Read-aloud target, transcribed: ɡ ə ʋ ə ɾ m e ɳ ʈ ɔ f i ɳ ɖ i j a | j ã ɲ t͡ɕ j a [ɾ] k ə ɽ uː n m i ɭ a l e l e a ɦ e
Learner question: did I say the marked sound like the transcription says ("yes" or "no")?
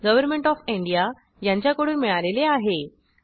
no